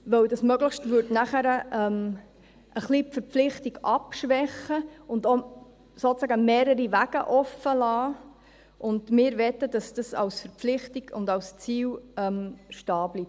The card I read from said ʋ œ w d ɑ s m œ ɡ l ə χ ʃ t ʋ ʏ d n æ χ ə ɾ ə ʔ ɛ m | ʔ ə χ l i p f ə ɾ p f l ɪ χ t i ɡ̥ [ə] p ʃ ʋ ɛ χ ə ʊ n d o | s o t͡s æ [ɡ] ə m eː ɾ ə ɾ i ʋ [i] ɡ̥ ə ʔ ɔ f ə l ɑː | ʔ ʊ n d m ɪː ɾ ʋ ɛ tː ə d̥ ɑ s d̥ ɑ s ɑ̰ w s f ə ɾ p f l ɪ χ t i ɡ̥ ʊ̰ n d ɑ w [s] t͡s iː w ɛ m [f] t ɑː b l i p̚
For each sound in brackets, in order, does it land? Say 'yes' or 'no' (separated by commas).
no, yes, no, yes, no